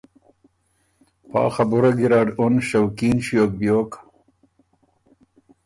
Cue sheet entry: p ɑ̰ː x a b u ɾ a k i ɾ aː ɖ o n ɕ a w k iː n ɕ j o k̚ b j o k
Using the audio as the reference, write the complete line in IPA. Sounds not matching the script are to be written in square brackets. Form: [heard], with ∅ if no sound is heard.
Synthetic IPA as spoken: p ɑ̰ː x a b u ɾ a [ɡ] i ɾ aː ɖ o n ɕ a w k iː n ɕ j o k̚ b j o k

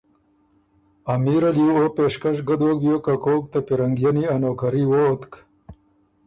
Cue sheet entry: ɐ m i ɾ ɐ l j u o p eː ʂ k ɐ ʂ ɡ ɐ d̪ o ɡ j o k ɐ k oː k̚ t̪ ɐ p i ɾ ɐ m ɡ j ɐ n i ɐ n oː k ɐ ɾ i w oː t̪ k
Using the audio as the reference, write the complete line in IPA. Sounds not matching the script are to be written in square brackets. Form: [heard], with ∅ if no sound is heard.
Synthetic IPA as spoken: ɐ m i ɾ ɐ l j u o p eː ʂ k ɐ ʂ ɡ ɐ d̪ o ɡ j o k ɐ k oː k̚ t̪ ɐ p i ɾ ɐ [ŋ] ɡ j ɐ n i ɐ n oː k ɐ ɾ i w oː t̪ k

